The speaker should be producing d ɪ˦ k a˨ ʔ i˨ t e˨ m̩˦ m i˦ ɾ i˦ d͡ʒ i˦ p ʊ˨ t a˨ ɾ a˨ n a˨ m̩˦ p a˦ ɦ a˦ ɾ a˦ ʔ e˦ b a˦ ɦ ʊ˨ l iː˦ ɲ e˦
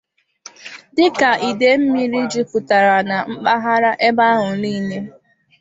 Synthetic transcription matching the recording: d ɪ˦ k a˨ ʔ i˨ d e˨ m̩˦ m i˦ ɾ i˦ d͡ʒ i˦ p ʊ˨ t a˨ ɾ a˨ n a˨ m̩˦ k͡p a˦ ɦ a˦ ɾ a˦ ʔ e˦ b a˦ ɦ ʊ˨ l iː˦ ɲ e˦